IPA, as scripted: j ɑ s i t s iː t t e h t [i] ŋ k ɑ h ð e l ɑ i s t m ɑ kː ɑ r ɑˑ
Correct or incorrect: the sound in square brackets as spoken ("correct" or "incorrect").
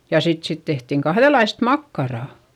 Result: correct